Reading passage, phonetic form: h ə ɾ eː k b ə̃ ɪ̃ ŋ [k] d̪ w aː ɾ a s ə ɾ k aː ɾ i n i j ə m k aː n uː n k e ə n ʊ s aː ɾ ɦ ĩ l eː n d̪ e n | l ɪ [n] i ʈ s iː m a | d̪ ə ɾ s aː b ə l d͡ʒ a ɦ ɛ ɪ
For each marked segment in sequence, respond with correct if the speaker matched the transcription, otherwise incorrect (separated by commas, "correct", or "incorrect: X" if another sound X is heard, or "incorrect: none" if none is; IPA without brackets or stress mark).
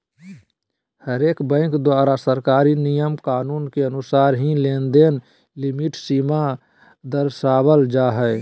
correct, incorrect: m